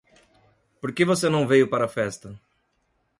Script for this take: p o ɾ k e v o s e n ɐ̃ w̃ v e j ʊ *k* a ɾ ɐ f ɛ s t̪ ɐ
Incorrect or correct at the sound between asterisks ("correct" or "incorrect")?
incorrect